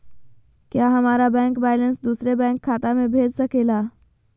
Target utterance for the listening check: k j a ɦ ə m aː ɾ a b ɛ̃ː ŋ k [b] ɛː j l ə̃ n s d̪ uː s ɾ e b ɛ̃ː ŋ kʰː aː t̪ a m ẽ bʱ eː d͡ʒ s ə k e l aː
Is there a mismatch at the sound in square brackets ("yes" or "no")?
no